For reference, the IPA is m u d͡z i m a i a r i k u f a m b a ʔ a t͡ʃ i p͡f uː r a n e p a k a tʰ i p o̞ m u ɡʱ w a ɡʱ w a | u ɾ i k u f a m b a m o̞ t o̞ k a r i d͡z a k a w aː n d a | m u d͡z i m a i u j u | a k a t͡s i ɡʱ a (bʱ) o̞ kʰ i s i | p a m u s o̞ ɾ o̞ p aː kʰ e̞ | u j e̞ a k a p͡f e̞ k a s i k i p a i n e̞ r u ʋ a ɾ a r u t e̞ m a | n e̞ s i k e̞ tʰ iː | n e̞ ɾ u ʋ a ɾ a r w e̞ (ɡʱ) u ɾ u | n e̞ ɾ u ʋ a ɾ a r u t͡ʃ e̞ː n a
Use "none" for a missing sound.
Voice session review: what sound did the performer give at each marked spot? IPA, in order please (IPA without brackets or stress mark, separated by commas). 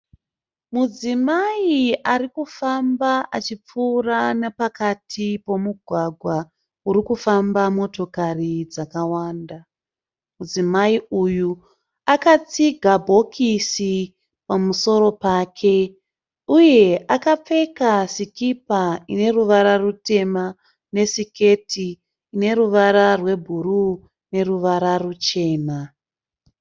bʱ, bʱ